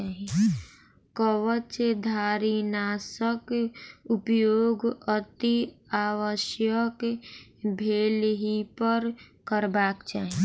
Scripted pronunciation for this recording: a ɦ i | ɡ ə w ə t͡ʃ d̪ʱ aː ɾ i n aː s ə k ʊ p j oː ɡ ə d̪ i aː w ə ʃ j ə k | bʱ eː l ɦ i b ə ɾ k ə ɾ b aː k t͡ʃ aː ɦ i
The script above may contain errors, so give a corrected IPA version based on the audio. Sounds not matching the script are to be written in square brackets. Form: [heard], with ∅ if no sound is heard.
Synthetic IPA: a ɦ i | [k] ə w ə t͡ʃ d̪ʱ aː ɾ i n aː s ə k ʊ p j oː ɡ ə [t̪] i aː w ə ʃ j ə k | bʱ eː l ɦ i [p] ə ɾ k ə ɾ b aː k t͡ʃ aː ɦ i